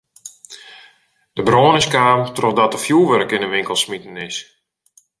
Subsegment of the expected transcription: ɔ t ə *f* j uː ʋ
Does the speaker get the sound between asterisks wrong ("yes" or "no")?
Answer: no